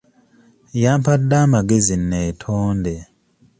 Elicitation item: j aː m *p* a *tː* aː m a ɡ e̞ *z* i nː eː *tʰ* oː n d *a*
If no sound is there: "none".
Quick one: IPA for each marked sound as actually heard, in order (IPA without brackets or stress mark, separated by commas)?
p, dː, z, tʰ, e